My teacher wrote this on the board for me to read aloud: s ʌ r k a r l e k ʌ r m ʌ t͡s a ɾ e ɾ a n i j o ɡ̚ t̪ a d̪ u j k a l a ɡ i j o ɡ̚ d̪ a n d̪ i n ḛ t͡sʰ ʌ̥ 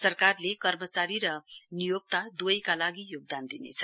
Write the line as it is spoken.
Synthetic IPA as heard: s ʌ r k a r l e k ʌ r m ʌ t͡s a ɾ i ɾ ʌ n i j o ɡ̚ t̪ a d̪ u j k a l a ɡ i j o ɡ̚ d̪ a n d̪ i n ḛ t͡sʰ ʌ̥